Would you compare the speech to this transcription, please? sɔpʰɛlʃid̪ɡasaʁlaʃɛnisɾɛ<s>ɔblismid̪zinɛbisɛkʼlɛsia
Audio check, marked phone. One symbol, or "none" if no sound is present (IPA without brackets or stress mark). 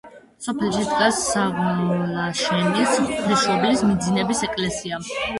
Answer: ʃ